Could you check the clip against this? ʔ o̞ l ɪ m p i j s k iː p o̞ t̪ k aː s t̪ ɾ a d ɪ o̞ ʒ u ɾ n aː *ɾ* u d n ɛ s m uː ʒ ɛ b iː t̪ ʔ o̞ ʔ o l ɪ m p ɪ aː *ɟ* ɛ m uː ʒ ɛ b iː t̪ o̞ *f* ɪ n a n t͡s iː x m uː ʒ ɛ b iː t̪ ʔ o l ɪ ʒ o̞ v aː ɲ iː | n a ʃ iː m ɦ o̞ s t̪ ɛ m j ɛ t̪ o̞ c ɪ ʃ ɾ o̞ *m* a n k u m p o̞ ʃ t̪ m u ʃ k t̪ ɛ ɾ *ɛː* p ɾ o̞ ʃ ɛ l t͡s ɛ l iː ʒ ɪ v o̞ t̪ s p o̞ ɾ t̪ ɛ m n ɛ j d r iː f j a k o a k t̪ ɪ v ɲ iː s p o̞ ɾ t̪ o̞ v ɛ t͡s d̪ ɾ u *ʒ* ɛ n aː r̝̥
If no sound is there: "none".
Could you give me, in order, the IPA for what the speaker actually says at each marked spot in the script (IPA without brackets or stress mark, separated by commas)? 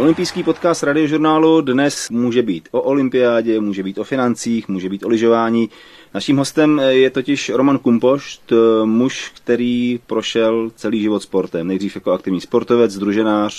l, ɟ, f, m, iː, ʒ